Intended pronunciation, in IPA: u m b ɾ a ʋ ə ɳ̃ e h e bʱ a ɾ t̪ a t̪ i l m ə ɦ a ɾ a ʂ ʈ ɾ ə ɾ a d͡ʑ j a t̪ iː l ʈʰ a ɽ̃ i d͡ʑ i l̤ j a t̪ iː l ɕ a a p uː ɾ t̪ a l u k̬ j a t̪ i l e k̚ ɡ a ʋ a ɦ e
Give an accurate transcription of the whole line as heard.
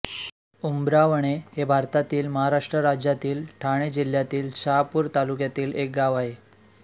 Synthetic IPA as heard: u m b ɾ a ʋ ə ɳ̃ e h e bʱ a ɾ t̪ a t̪ iː l m ə ɦ a ɾ a ʂ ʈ ɾ ə ɾ a d͡ʑ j a t̪ iː l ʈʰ a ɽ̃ e d͡ʑ i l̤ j a t̪ iː l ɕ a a p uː ɾ t̪ a l u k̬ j a t̪ iː l e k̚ ɡ a ʋ a ɦ e